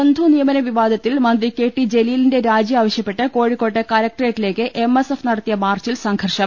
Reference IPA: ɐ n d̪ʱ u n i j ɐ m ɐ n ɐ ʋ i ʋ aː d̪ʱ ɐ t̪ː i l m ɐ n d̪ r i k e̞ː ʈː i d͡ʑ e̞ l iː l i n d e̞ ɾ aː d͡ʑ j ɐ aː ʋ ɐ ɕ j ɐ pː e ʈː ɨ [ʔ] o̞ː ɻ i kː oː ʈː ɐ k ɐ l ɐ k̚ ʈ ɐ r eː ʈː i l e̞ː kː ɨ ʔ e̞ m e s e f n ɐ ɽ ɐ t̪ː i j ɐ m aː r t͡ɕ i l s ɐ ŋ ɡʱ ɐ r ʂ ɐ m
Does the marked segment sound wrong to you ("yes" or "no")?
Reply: yes